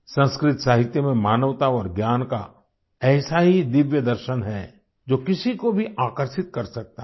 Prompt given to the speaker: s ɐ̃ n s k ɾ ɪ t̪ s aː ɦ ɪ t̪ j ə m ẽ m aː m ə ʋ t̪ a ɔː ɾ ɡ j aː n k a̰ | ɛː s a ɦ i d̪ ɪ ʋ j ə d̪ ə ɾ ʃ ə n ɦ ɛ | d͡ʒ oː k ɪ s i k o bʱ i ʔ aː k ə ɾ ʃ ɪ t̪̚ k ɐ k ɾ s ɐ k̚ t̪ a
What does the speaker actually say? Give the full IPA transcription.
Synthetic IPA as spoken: s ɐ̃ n s k ɾ ɪ t̪ s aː ɦ ɪ t̪ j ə m ẽ m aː n ə ʋ t̪ a ɔː ɾ ɡ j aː n k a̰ | ɛː s a ɦ i d̪ ɪ ʋ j ə d̪ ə ɾ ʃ ə n ɦ ɛ | d͡ʒ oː k ɪ s i k o bʱ i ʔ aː k ə ɾ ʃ ɪ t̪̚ k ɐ ɾ s ɐ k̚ t̪ a

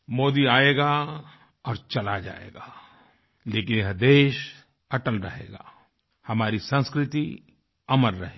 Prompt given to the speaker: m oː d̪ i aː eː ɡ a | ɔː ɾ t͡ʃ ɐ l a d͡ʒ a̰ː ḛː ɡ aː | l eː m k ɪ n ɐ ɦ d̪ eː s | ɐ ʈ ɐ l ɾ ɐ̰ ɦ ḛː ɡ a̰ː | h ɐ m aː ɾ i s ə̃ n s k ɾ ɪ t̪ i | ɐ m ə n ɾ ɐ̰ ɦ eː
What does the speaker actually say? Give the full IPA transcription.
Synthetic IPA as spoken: m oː d̪ i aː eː ɡ a | ɔː ɾ t͡ʃ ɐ l a d͡ʒ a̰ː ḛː ɡ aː | l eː k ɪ n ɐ ɦ d̪ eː ʃ | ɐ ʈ ə l ɾ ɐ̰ ɦ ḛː ɡ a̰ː | h ɐ m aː ɾ i s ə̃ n s k ɾ ɪ t̪ i | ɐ m ə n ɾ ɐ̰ ɦ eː

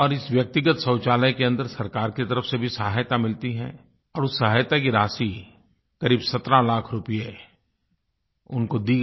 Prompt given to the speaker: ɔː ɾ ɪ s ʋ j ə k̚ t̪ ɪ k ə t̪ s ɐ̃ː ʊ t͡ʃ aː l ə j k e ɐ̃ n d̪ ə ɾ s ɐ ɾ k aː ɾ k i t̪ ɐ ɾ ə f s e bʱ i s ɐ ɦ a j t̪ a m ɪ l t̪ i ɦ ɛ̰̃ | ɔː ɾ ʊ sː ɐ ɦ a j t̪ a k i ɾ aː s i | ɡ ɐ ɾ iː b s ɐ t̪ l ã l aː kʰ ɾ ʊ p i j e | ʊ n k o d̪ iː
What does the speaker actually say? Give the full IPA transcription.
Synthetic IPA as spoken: ɔː ɾ ɪ s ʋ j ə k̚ t̪ ɪ ɡ ə t̪ s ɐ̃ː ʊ t͡ʃ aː l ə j k e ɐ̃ n d̪ ə ɾ s ɐ ɾ k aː ɾ k i t̪ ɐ ɾ ə f s e bʱ i s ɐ ɦ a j t̪ a m ɪ l t̪ i ɦ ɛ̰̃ | ɔː ɾ ʊ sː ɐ ɦ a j t̪ a k i ɾ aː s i | k ɐ ɾ iː b s ɐ t̪ ɾ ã l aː kʰ ɾ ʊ p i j e | ʊ n k o d̪ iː

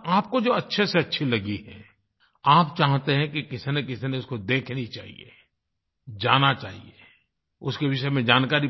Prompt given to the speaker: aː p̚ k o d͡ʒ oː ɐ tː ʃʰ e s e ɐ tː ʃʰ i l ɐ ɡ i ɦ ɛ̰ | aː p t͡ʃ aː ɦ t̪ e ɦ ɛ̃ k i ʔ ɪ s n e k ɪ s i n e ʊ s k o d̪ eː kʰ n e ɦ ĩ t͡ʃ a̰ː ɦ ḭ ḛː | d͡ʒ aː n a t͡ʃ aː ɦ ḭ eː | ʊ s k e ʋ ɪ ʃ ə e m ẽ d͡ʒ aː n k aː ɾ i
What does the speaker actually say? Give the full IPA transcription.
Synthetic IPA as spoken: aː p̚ k o d͡ʒ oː ɐ tː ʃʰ e s e ɐ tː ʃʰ i l ɐ ɡ i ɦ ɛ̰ | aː p t͡ʃ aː ɦ t̪ e ɦ ɛ̃ k i k ɪ s n e k ɪ s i n e ʊ s k o d̪ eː kʰ n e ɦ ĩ t͡ʃ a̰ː ɦ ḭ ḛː | d͡ʒ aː n a t͡ʃ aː ɦ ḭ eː | ʊ s k e ʋ ɪ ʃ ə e m ẽ d͡ʒ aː n k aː ɾ i

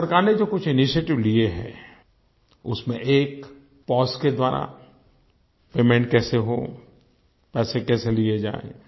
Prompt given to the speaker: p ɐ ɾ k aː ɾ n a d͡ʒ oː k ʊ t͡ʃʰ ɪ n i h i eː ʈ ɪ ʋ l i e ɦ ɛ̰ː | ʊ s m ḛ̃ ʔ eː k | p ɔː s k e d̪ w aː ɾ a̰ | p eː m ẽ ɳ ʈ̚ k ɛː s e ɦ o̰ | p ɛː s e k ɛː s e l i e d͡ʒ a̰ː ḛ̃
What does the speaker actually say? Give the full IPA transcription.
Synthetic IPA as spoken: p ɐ ɾ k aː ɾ n e d͡ʒ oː k ʊ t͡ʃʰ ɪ n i ʃ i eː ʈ ɪ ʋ l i e ɦ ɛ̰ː | ʊ s m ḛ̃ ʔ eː k | p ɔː s k e d̪ w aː ɾ a̰ | p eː m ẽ ɳ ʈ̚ k ɛː s e ɦ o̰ | p ɛː s e k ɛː s e l i e d͡ʒ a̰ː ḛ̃

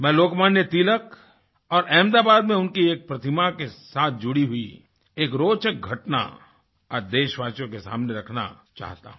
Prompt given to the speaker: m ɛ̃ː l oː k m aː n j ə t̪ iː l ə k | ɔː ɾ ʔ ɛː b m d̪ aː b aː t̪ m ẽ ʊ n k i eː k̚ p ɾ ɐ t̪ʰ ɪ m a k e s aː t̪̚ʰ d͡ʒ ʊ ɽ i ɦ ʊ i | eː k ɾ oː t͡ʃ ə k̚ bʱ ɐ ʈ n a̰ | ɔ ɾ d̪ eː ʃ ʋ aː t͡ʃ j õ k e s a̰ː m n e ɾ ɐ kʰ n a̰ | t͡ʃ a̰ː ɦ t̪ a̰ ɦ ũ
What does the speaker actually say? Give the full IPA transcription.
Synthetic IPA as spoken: m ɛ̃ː l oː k m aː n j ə t̪ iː l ə k | ɔː ɾ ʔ ɛː m d̪ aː b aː d̪ m ẽ ʊ n k i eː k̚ p ɾ ɐ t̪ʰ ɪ m a k e s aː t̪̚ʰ d͡ʒ ʊ ɽ i ɦ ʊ i | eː k ɾ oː t͡ʃ ə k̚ ɡʱ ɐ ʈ n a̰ | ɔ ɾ d̪ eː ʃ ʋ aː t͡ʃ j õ k e s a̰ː m n e ɾ ɐ kʰ n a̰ | t͡ʃ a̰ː ɦ t̪ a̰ ɦ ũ

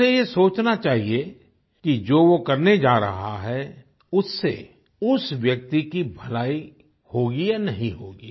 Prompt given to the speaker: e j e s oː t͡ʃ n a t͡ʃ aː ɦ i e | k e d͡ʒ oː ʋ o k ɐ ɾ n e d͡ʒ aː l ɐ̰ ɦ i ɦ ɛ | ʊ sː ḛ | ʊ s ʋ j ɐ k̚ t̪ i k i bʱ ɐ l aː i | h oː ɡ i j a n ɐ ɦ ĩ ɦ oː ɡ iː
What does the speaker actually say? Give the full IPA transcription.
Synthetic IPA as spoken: e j e s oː t͡ʃ n a t͡ʃ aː ɦ i e | k i d͡ʒ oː ʋ o k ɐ ɾ n e d͡ʒ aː ɾ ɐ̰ ɦ a ɦ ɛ | ʊ sː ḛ | ʊ s ʋ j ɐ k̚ t̪ i k i bʱ ɐ l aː i | h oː ɡ i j a n ɐ ɦ ĩ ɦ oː ɡ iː

